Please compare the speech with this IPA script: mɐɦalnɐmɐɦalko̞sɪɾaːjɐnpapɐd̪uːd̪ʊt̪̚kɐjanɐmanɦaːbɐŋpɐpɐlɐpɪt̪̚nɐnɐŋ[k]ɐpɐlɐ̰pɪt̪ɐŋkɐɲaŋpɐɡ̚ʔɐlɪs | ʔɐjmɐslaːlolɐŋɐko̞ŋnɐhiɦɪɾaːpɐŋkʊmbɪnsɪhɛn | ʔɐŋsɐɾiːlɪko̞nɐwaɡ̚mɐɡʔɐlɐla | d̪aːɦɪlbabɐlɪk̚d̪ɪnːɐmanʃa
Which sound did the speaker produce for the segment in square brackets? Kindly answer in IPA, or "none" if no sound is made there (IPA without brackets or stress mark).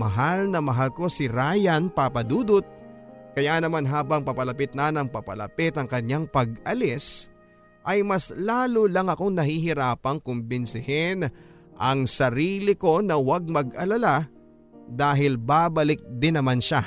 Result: p